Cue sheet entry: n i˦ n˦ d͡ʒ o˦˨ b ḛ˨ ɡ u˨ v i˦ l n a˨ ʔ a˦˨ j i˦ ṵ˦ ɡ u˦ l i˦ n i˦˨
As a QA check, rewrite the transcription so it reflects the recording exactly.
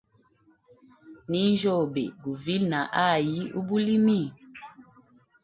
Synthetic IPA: n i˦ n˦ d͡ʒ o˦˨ b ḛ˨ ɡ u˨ v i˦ l n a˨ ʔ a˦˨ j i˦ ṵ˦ b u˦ l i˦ m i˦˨